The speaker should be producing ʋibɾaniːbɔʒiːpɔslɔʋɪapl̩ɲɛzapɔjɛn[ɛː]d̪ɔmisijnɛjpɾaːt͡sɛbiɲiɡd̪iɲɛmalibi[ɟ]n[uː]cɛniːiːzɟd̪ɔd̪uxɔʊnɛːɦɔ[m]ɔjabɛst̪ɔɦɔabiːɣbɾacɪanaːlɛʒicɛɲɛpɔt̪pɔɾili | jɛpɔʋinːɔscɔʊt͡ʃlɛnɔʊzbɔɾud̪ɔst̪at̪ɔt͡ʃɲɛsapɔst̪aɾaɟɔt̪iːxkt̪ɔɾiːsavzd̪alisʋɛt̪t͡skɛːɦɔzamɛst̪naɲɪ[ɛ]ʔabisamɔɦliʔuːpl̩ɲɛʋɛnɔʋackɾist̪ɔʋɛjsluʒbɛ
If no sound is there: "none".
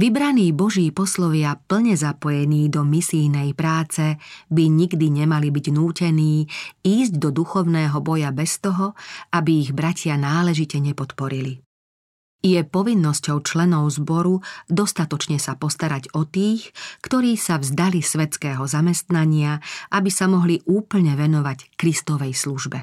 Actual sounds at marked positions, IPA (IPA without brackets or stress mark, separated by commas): iː, ɟ, uː, b, a